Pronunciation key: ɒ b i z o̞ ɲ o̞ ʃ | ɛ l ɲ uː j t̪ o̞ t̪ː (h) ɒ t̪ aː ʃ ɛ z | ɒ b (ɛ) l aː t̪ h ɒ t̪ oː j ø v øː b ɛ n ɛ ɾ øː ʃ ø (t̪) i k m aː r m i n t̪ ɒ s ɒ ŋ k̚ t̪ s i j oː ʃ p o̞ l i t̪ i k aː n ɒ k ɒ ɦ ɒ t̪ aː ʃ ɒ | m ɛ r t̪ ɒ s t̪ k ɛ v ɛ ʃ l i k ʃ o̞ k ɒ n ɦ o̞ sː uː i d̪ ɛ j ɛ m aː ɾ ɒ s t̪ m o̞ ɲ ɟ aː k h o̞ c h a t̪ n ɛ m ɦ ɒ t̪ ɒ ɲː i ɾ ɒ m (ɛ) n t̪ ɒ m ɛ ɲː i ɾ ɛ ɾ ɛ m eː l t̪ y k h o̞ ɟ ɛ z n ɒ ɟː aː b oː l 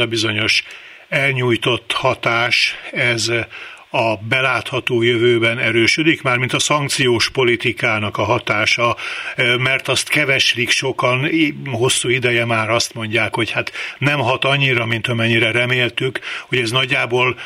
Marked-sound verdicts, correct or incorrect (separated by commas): correct, correct, incorrect, incorrect